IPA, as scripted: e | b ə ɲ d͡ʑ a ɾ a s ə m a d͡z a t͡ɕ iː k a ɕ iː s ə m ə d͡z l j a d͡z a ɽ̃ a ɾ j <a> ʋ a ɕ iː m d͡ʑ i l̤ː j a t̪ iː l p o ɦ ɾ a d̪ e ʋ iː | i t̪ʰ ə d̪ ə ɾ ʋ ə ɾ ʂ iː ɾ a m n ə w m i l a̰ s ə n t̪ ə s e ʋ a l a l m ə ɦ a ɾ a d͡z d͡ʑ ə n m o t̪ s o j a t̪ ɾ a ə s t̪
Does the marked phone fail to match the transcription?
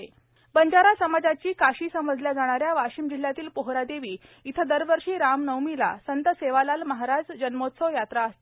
no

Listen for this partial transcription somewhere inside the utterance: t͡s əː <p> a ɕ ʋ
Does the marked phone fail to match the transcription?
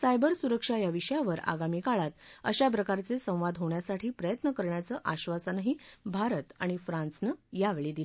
yes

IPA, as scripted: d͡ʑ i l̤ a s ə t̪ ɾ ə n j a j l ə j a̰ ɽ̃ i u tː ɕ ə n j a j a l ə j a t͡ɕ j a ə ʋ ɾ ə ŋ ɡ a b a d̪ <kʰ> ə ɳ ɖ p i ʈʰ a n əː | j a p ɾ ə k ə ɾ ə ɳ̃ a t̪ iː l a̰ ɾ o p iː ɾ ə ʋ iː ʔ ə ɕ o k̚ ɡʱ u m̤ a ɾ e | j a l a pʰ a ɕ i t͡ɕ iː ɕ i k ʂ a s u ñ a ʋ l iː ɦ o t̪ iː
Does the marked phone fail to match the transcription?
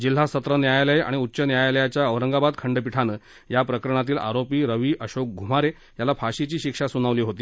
no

